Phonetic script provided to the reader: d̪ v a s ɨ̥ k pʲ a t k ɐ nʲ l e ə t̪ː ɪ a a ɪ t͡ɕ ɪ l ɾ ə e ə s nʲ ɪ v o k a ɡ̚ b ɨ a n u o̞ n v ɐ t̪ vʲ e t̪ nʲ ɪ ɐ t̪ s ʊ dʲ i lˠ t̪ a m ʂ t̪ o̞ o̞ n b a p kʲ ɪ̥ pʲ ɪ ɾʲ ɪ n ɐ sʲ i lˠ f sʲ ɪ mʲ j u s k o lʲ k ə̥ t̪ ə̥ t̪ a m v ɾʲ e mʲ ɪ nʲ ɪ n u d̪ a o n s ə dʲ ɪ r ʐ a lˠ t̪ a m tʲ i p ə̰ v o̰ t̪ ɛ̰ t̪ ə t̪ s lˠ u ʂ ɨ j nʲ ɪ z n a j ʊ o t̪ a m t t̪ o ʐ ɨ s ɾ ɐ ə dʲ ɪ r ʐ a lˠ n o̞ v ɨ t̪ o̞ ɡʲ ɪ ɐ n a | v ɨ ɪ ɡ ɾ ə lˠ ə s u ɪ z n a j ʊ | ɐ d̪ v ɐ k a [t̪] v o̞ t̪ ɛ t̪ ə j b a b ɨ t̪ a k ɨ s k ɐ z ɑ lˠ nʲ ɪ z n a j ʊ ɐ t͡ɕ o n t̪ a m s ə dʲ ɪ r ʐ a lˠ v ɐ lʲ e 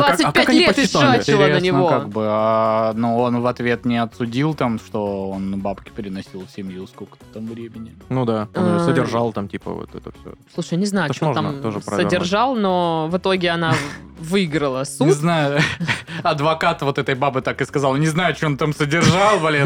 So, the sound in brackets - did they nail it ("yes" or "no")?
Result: yes